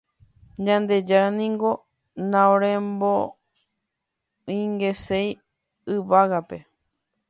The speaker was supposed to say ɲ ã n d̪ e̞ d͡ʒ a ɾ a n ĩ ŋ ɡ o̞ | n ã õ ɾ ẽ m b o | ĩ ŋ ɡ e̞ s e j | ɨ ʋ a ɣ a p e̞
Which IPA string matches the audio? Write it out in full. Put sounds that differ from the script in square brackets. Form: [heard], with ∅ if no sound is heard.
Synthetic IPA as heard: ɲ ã n d̪ e̞ d͡ʒ a ɾ a n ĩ ŋ ɡ o̞ | n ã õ ɾ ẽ m b o | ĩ ŋ ɡ e̞ s e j | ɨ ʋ a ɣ a p e̞